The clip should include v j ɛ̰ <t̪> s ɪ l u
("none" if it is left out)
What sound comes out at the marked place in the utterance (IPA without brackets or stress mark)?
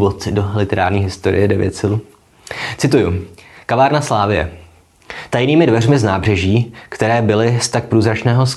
t̪